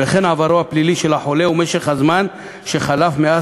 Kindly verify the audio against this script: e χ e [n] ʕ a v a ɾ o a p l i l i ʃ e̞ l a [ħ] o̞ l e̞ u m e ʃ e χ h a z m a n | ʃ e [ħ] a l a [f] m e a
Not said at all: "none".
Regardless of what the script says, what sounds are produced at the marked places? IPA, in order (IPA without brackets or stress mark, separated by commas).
n, ħ, χ, f